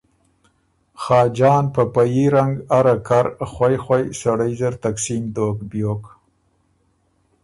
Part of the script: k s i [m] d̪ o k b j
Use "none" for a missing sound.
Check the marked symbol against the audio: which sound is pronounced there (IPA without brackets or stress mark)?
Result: m